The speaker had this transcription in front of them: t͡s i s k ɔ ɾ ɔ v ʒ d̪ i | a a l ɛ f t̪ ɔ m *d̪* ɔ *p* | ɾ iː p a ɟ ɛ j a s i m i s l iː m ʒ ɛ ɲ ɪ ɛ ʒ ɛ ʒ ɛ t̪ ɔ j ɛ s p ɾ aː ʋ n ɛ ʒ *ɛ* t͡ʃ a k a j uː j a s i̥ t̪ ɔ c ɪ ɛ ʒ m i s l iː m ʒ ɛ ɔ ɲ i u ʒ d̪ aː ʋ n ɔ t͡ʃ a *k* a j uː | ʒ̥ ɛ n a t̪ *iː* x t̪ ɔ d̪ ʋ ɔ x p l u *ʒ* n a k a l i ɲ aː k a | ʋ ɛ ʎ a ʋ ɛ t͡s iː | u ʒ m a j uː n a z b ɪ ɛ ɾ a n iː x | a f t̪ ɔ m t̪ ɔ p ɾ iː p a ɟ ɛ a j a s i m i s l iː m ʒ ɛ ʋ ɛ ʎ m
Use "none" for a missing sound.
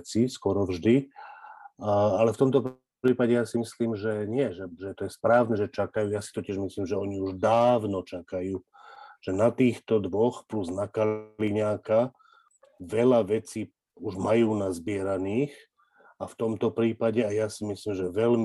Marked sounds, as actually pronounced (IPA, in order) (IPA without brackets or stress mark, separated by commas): t̪, p, ɛ, k, iː, z